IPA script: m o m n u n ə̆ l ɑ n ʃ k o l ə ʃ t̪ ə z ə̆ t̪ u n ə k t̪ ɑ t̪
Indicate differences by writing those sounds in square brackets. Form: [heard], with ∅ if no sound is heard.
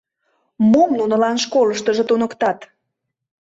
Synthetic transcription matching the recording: m o m n u n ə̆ l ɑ n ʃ k o l ə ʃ t̪ ə [ʒ] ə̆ t̪ u n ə k t̪ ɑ t̪